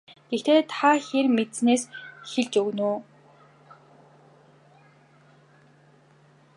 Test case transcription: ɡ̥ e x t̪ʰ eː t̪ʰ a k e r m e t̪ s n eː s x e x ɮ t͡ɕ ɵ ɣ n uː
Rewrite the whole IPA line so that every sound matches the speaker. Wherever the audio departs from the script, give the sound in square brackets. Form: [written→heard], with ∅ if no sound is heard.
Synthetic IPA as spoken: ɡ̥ e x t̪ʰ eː t̪ʰ a [k→x] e r m e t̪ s n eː s x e [x→∅] ɮ t͡ɕ ɵ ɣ n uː